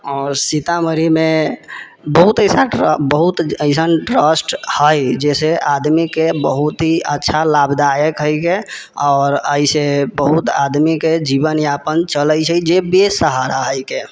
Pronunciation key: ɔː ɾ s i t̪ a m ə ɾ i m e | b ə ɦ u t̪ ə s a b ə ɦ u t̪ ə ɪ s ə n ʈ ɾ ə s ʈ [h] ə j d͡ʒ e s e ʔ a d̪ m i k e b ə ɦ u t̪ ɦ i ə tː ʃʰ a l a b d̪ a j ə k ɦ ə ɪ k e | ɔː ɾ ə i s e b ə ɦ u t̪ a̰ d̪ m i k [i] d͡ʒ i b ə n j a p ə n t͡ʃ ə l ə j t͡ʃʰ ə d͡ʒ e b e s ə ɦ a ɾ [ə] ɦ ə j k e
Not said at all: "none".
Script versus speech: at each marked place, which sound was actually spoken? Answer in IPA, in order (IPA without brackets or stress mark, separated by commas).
h, e, a